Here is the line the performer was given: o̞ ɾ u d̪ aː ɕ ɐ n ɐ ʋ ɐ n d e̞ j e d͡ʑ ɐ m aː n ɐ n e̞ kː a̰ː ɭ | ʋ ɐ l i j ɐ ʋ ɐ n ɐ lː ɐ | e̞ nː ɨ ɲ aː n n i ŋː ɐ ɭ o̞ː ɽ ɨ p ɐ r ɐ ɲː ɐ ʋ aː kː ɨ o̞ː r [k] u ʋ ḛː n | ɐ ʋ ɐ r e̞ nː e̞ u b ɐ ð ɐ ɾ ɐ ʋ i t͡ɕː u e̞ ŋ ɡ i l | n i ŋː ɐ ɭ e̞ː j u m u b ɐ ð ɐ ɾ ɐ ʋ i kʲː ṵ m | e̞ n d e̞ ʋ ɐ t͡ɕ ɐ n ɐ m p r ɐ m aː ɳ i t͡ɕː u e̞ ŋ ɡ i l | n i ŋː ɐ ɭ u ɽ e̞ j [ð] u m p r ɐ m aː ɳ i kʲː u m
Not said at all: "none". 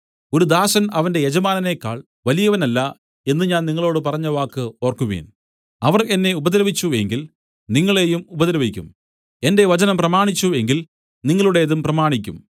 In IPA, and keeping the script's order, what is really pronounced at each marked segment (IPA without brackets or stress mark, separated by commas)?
k, ð